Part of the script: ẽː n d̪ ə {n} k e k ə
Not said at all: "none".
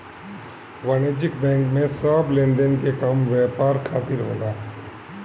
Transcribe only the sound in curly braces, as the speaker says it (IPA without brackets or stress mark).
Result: n